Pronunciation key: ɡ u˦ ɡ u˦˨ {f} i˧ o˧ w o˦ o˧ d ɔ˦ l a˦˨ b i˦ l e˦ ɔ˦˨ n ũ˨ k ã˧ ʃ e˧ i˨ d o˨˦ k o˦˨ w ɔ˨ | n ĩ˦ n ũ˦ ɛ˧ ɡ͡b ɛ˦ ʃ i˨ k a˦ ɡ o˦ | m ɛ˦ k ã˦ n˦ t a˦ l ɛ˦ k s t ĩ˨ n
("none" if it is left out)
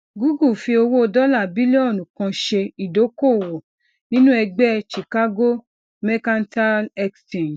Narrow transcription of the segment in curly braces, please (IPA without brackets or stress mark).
f